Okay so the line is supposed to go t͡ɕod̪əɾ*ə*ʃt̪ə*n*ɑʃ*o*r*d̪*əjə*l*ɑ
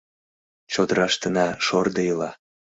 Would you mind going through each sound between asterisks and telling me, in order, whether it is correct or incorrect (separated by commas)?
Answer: incorrect, correct, correct, correct, correct